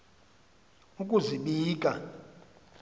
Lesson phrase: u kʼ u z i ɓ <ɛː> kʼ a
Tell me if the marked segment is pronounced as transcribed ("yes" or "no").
no